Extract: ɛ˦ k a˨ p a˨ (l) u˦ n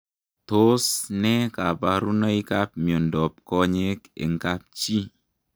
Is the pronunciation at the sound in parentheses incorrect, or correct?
incorrect: ɾ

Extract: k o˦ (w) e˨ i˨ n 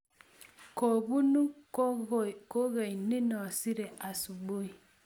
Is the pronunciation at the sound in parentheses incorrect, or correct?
incorrect: ɣ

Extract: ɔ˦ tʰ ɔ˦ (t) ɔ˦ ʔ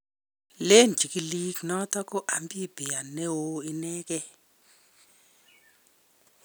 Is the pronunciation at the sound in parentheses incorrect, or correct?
incorrect: k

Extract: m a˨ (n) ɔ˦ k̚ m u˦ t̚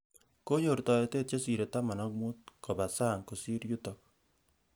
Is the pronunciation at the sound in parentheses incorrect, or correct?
correct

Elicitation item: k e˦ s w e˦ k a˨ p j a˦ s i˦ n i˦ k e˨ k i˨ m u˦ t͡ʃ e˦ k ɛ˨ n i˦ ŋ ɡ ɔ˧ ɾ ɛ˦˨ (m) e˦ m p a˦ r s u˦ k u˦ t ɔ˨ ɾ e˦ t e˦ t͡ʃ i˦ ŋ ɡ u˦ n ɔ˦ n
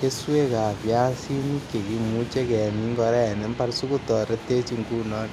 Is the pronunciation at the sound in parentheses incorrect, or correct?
incorrect: n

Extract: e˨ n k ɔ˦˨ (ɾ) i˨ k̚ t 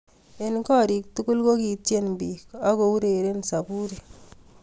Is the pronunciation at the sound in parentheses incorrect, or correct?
correct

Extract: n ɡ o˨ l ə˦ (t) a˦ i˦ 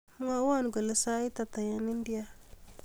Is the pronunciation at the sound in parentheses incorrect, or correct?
incorrect: s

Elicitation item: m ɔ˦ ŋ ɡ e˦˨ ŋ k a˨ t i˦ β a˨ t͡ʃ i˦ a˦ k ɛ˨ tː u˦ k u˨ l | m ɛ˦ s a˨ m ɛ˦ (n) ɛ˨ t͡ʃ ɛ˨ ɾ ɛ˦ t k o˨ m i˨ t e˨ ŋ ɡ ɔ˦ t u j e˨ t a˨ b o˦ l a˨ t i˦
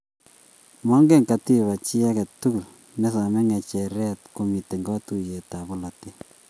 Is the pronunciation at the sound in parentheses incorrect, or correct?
incorrect: ŋ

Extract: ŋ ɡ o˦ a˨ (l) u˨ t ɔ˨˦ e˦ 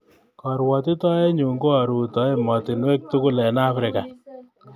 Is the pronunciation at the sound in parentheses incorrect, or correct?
incorrect: ɾ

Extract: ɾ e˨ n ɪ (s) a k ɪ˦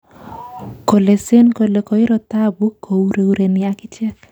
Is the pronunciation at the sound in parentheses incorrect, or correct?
incorrect: none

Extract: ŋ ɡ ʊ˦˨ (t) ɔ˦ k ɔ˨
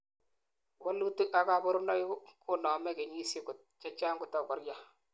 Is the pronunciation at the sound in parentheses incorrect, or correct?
correct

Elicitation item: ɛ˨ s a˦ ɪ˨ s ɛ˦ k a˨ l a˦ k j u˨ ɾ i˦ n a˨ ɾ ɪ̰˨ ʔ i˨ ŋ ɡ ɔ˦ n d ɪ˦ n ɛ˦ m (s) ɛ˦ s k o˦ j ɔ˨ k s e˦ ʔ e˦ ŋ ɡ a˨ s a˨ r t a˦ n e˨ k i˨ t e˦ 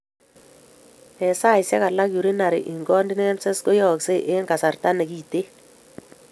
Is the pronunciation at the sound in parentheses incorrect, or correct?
correct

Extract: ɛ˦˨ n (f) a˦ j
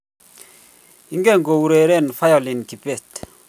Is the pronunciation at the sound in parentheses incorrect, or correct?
correct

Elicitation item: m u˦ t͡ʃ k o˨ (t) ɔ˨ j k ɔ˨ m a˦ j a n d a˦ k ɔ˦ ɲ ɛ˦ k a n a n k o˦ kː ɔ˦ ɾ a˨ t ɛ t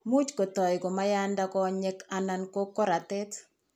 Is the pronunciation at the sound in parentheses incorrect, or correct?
correct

